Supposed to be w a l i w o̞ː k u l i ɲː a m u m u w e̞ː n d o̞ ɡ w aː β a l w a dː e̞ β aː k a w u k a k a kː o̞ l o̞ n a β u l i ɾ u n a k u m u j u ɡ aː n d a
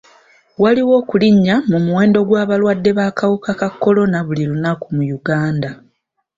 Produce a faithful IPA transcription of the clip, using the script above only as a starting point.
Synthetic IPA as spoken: w a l i w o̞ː k u l i ɲː a m u m u w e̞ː n d o̞ ɡ w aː β a l w a dː e̞ β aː k a w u k a k a kː o̞ l o̞ n a β u l i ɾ u n a k u m u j u ɡ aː n d a

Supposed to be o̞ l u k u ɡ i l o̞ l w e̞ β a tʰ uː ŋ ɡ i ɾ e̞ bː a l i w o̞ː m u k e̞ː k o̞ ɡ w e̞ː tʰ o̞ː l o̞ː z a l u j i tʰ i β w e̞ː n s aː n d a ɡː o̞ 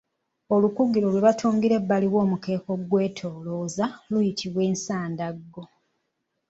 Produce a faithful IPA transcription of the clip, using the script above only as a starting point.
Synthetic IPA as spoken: o̞ l u k u ɡ i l o̞ l w e̞ β a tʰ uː ŋ ɡ i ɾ e̞ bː a l i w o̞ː m u k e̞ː k o̞ ɡ w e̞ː tʰ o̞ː l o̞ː z a l u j i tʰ i β w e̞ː n s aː n d a ɡː o̞

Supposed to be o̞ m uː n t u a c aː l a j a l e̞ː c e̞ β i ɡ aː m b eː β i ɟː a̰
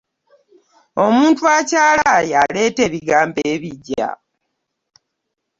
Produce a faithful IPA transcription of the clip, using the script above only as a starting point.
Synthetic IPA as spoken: o̞ m uː n t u a c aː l a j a l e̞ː t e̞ β i ɡ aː m b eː β i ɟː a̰

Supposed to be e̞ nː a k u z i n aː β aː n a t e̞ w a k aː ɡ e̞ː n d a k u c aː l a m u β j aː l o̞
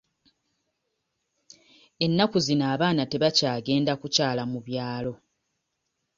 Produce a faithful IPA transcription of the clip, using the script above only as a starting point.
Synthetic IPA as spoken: e̞ nː a k u z i n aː β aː n a t e̞ β a c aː ɡ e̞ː n d a k u c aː l a m u β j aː l o̞

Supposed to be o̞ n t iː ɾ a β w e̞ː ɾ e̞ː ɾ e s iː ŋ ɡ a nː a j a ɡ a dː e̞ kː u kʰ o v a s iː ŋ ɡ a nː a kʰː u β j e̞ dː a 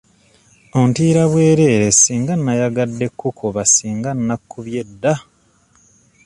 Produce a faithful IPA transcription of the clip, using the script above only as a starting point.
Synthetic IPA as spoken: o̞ n t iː ɾ a β w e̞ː ɾ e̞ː ɾ e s iː ŋ ɡ a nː a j a ɡ a dː e̞ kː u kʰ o β a s iː ŋ ɡ a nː a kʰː u β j e̞ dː a

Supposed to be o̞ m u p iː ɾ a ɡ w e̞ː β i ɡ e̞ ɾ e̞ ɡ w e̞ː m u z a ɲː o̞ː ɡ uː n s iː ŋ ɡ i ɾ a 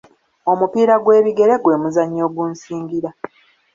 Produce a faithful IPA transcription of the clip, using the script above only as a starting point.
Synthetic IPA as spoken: o̞ m u p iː ɾ a ɡ w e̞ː β i ɡ e̞ ɾ e̞ ɡ w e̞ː m u z a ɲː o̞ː ɡ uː n s iː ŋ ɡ i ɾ a

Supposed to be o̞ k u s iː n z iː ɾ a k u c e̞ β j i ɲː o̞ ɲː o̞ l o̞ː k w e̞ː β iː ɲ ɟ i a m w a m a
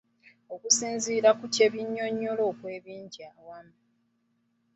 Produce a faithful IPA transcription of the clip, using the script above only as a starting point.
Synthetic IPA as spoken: o̞ k u s iː n z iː ɾ a k u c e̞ β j i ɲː o̞ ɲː o̞ l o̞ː k w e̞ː β iː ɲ ɟ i a w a m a

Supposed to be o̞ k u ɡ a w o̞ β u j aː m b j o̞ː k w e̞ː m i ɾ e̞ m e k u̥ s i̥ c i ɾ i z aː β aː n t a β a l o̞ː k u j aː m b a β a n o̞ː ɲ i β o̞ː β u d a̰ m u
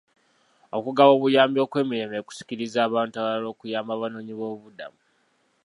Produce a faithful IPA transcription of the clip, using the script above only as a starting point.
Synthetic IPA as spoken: o̞ k u ɡ a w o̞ β u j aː m b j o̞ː k w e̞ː m i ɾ e̞ m e k u̥ s i̥ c i ɾ i z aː β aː n t a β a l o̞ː k u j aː m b a β a n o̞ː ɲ i β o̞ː β u d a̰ m u

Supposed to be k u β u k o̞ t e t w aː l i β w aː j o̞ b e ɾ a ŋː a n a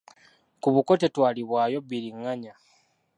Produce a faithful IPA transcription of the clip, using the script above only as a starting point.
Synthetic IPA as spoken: k u β u k o̞ t e t w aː l i β w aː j o̞ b i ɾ i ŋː a ɲ a

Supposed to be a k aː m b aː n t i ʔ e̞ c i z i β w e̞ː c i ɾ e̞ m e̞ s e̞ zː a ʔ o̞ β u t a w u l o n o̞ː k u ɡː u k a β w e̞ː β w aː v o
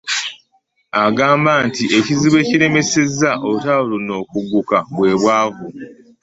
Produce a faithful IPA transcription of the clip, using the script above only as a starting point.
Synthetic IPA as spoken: a ɡ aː m b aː n t i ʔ e̞ c i z i β w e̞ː c i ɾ e̞ m e̞ s e̞ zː a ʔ o̞ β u t a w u l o n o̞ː k u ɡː u k a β w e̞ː β w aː v u

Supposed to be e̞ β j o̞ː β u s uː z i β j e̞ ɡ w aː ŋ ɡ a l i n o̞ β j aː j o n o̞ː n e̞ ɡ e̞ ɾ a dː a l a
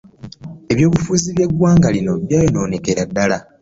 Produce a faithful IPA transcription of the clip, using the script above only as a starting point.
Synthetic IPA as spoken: e̞ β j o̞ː β u f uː z i β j e̞ ɡ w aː ŋ ɡ a l i n o̞ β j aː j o n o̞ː n e̞ k e̞ ɾ a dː a l a

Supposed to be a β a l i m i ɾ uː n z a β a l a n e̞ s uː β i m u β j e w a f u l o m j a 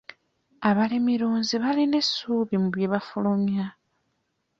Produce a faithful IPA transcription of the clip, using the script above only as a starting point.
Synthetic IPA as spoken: a β a l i m i ɾ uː n z i β a l i n e̞ s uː β i m u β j e β a f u l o m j a

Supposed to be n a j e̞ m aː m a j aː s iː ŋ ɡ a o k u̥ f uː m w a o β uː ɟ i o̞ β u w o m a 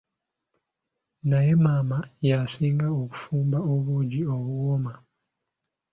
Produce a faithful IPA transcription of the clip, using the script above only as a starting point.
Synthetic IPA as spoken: n a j e̞ m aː m a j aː s iː ŋ ɡ a o k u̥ f uː m b a o β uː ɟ i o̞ β u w o m a

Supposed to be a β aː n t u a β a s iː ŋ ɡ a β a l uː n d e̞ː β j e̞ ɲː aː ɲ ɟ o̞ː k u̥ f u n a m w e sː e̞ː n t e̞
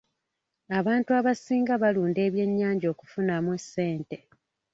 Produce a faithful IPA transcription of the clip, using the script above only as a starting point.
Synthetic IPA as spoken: a β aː n t u a β a s iː ŋ ɡ a β a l uː n d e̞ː β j e̞ ɲː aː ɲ ɟ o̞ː k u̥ f u n a m w e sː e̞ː n t e̞

